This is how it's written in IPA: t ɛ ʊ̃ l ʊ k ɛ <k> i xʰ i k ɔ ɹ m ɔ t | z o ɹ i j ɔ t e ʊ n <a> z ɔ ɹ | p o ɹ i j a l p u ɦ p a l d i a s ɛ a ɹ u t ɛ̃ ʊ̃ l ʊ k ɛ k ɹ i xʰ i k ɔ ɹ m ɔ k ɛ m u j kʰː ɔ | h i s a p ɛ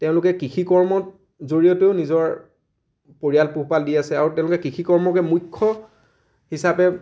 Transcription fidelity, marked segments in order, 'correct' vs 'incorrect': correct, incorrect

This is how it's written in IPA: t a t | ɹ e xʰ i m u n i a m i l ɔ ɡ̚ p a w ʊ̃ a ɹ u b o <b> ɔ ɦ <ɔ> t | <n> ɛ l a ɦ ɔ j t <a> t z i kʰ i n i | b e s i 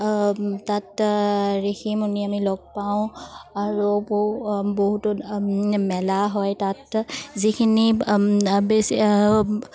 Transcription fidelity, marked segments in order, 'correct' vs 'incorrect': correct, incorrect, incorrect, correct

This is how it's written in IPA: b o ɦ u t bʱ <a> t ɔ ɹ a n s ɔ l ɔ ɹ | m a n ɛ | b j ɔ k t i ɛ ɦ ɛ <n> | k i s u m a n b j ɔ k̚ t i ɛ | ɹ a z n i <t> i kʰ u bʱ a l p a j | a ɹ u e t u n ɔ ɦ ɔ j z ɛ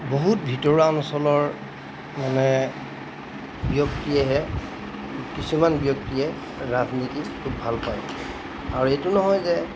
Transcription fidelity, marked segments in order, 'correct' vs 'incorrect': incorrect, incorrect, correct

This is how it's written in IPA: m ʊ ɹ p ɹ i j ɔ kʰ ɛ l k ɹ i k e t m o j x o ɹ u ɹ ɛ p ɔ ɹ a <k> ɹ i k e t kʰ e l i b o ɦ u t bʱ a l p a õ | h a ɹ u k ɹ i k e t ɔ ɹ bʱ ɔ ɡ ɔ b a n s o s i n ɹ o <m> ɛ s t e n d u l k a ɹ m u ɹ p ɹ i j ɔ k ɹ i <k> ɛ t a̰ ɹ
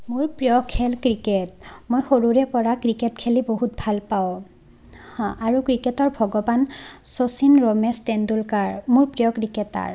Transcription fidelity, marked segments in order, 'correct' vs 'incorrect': correct, correct, correct

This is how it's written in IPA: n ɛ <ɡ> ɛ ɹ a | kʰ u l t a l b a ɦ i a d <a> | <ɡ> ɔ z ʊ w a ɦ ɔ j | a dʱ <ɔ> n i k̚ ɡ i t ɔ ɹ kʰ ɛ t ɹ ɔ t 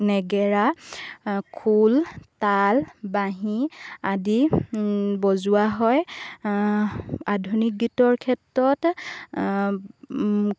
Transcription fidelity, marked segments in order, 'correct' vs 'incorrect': correct, incorrect, incorrect, incorrect

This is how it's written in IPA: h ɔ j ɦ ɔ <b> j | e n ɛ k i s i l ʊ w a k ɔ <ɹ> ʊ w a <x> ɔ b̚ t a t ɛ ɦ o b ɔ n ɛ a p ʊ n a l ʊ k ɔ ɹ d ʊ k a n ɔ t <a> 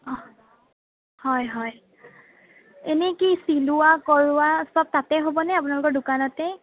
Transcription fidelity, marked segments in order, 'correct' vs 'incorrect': incorrect, correct, incorrect, incorrect

